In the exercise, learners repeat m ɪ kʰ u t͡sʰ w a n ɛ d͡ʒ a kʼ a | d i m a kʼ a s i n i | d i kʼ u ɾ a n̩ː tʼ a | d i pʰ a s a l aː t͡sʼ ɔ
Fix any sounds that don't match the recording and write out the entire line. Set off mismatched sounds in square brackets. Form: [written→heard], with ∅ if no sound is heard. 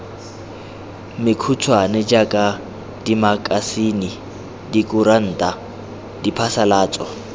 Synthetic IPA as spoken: m ɪ kʰ u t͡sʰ w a n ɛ d͡ʒ a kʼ a | d i m a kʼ a s i n i | d i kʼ u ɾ a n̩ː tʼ a | d i pʰ a s a l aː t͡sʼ ɔ